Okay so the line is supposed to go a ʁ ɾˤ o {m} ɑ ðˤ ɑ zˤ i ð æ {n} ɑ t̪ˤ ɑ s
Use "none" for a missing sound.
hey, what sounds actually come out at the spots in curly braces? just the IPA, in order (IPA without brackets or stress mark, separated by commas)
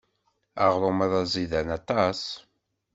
m, n